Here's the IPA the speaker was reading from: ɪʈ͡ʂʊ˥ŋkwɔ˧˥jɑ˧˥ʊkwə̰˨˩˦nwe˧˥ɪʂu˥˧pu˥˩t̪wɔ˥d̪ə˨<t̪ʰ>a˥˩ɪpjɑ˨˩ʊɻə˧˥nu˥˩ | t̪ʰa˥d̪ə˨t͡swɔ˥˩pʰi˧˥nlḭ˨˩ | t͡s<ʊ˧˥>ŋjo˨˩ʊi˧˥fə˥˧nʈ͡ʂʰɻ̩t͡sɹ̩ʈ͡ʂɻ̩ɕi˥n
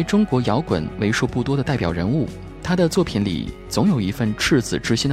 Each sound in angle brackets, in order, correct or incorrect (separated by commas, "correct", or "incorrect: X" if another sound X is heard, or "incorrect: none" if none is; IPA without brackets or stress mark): incorrect: t̪, correct